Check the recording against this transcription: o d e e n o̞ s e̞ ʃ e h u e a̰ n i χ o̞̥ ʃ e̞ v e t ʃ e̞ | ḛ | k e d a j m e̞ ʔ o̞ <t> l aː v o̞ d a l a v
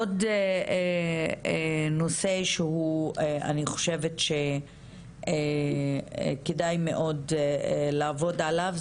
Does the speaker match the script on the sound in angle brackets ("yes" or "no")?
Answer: no